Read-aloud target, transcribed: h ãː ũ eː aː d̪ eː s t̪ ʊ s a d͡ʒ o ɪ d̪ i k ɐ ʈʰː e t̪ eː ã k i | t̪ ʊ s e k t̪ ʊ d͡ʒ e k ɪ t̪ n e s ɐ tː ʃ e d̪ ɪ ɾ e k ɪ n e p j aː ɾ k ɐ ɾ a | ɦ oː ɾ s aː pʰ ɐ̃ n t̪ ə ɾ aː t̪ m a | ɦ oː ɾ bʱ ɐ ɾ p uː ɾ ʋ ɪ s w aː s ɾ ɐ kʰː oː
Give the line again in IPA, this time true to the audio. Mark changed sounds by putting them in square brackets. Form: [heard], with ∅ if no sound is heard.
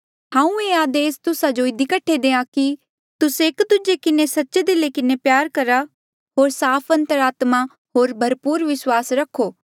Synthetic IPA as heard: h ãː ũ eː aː d̪ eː s t̪ ʊ s a d͡ʒ o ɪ d̪ i k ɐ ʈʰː e [d̪] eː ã k i | t̪ ʊ s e k [d̪] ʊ d͡ʒ e k ɪ [∅] n e s ɐ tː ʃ e d̪ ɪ [l] e k ɪ n e p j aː ɾ k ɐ ɾ a | ɦ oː ɾ s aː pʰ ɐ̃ n t̪ ə ɾ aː t̪ m a | ɦ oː ɾ bʱ ɐ ɾ p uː ɾ ʋ ɪ s w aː s ɾ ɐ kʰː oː

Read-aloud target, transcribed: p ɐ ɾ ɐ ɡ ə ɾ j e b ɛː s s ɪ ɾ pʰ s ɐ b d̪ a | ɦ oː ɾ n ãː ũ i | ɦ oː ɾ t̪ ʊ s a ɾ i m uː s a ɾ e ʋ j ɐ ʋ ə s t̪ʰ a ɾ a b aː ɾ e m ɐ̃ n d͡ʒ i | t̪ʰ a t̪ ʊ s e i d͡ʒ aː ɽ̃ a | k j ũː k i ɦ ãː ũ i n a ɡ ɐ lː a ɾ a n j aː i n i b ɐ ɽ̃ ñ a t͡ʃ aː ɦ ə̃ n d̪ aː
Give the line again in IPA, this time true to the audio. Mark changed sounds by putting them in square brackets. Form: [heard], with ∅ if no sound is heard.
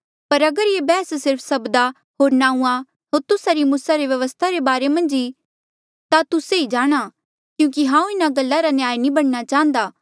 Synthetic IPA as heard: p ɐ ɾ ɐ ɡ ə ɾ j e b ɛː s s ɪ ɾ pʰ s ɐ b d̪ a | ɦ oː ɾ n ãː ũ [a] | ɦ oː ɾ t̪ ʊ s a ɾ i m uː s a ɾ e ʋ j ɐ ʋ ə s t̪ʰ a ɾ [e] b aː ɾ e m ɐ̃ n d͡ʒ i | [t̪] a t̪ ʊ s e i d͡ʒ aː ɽ̃ a | k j ũː k i ɦ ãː ũ [ɪ] n a ɡ ɐ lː a ɾ a n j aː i n i b ɐ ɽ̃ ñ a t͡ʃ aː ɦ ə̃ n d̪ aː

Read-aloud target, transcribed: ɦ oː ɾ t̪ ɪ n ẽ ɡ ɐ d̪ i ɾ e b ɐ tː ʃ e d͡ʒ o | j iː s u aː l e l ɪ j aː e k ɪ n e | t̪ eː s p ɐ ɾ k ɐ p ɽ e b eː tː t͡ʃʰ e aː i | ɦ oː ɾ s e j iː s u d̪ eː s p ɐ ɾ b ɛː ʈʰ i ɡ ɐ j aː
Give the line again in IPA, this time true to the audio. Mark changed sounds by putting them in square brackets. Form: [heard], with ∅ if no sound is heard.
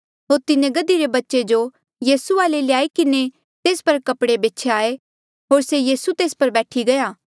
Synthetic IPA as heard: ɦ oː ɾ t̪ ɪ n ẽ ɡ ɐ d̪ i ɾ e b ɐ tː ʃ e d͡ʒ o | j iː s u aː l e l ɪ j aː [i] k ɪ n e | t̪ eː s p ɐ ɾ k ɐ p ɽ e b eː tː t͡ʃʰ e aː [e] | ɦ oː ɾ s e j iː s u [t̪] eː s p ɐ ɾ b ɛː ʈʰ i ɡ ɐ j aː

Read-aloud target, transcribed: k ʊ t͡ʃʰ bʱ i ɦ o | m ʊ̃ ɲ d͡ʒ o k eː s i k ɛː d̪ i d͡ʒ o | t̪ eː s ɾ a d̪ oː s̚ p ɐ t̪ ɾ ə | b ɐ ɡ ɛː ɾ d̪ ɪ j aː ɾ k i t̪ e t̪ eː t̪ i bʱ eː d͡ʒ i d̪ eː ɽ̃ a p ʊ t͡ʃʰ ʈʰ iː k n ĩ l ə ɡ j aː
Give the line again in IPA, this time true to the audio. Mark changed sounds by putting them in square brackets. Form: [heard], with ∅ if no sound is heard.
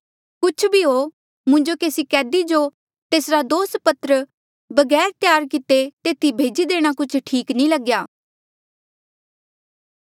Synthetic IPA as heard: k ʊ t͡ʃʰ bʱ i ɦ o | m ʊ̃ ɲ d͡ʒ o k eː s i k ɛː d̪ i d͡ʒ o | t̪ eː s ɾ a d̪ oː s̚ p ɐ t̪ ɾ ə | b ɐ ɡ ɛː ɾ [t̪] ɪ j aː ɾ k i t̪ e t̪ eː t̪ i bʱ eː d͡ʒ i d̪ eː ɽ̃ a [k] ʊ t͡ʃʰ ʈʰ iː k n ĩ l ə ɡ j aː

